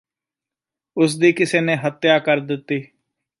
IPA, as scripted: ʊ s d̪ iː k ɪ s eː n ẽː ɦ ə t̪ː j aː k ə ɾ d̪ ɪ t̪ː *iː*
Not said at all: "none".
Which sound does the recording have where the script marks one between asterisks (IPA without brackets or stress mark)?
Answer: iː